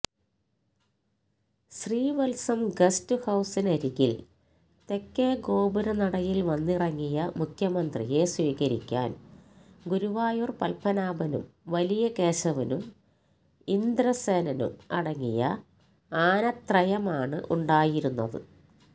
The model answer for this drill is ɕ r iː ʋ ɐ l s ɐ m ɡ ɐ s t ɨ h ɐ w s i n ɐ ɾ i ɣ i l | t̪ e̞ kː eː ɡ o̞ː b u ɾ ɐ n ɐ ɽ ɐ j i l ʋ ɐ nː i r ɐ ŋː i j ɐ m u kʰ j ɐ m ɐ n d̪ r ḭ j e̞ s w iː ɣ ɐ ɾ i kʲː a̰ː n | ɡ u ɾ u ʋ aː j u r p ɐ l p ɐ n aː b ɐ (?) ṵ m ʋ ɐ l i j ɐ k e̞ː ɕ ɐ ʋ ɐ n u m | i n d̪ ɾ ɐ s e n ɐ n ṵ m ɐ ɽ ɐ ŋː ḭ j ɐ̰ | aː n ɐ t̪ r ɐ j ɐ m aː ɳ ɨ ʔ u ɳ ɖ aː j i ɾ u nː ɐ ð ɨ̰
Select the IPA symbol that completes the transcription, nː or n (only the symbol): n